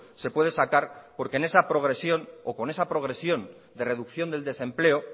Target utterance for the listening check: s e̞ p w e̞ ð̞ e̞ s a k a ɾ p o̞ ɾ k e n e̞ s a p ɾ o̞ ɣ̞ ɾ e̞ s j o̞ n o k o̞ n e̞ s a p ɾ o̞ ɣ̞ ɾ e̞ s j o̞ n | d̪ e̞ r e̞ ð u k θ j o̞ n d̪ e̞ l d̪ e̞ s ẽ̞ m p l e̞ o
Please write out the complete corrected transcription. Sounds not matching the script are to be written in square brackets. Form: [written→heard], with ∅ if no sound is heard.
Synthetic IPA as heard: s e̞ p w e̞ ð̞ e̞ s a k a ɾ p o̞ ɾ k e n e̞ s a p ɾ o̞ ɣ̞ ɾ e̞ s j o̞ n o k o̞ n e̞ s a p ɾ o̞ ɣ̞ ɾ e̞ s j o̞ n | d̪ e̞ r e̞ ð u k θ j o̞ n d̪ e̞ l d̪ e̞ s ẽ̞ m p l e̞ o